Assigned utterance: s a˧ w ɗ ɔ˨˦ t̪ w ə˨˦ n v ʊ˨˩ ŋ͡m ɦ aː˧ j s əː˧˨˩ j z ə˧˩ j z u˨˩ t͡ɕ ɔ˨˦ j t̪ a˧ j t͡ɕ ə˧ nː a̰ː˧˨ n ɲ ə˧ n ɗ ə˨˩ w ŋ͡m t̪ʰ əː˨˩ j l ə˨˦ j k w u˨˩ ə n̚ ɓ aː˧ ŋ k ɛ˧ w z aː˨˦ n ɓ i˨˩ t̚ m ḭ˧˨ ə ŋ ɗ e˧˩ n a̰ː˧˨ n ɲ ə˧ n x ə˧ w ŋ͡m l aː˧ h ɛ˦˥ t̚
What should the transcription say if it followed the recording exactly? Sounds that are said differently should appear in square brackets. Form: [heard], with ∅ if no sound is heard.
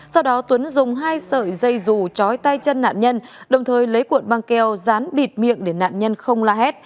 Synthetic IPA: s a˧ w ɗ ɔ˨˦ t̪ w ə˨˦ n [z] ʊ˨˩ ŋ͡m ɦ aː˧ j s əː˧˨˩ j z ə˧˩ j z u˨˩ t͡ɕ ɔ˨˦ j t̪ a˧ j t͡ɕ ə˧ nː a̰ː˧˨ n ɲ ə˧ n ɗ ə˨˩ w ŋ͡m t̪ʰ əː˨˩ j l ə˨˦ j k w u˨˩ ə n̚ ɓ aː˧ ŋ k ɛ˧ w z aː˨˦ n ɓ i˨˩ t̚ m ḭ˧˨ ə ŋ ɗ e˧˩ n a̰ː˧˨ n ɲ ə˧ n x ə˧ w ŋ͡m l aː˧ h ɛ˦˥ t̚